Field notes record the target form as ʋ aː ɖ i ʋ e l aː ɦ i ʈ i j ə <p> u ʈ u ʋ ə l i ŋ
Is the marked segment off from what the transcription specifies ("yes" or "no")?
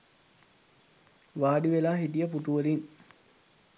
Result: no